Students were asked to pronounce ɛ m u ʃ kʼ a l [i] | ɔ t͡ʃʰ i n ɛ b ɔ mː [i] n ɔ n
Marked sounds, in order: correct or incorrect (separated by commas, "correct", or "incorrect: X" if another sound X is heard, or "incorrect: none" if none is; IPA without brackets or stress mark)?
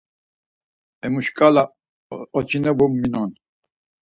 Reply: incorrect: a, correct